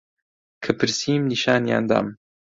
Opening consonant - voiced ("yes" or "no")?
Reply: no